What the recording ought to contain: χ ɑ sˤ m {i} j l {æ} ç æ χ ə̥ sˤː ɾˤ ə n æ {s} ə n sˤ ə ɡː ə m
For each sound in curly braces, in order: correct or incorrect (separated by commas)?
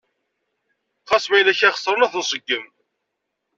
incorrect, correct, incorrect